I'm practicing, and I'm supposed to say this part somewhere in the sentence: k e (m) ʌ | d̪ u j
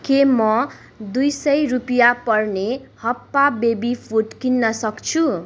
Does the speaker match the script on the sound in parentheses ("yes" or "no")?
yes